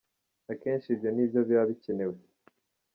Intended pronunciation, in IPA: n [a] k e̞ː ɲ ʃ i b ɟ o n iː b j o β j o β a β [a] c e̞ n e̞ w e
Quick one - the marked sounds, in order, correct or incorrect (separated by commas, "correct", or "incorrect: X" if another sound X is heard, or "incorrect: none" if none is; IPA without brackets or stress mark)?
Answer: correct, incorrect: i